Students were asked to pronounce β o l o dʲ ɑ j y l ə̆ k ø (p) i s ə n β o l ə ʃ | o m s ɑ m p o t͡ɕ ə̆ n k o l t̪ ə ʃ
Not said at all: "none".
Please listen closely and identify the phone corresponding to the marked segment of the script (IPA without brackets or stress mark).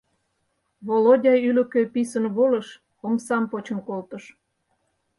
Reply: p